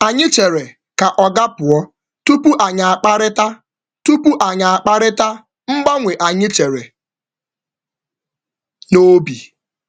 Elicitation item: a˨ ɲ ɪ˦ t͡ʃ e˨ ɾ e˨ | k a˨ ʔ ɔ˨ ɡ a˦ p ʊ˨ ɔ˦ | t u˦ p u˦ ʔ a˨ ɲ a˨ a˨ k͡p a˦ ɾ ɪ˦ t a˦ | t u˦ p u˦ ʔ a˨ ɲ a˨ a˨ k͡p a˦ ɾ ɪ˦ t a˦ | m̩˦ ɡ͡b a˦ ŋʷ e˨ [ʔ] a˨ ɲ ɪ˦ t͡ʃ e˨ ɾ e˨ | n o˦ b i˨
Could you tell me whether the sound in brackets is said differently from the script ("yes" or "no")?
no